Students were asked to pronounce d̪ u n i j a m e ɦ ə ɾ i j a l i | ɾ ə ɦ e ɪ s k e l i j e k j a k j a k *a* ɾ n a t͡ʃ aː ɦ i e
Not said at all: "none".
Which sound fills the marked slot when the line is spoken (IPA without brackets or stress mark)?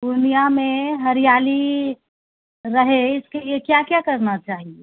ə